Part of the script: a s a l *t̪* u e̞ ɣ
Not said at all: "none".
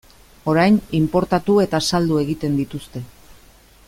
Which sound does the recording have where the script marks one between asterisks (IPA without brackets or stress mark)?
d̪